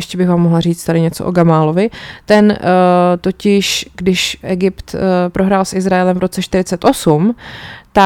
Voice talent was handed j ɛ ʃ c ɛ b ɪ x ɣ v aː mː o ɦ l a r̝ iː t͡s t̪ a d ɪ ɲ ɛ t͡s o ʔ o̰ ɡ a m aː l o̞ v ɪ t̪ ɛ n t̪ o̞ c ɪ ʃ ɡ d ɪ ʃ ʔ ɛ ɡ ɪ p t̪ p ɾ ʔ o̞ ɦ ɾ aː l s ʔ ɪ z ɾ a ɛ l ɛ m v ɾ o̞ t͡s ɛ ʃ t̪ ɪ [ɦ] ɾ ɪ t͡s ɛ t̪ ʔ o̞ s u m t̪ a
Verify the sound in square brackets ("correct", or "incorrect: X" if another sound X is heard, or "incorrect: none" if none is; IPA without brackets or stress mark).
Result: incorrect: none